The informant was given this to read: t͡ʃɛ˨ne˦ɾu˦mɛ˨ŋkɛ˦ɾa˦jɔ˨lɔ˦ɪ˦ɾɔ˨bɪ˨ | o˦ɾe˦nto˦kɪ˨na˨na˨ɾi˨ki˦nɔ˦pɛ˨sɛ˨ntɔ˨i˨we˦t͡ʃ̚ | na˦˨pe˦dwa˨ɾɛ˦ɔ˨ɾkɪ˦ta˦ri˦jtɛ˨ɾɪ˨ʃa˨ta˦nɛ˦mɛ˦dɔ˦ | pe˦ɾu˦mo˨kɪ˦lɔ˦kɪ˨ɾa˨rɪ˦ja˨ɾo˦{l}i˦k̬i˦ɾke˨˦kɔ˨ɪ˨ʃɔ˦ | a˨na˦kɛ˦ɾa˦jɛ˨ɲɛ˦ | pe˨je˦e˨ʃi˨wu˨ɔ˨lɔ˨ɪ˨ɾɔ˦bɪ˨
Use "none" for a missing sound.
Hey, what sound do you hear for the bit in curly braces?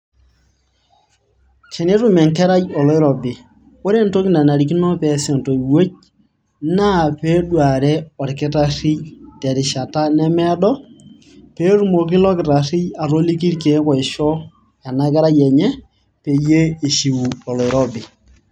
l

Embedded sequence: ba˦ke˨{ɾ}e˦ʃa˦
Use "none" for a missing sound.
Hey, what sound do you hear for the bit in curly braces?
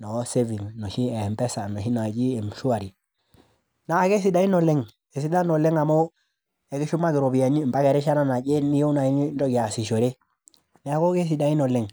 ɾ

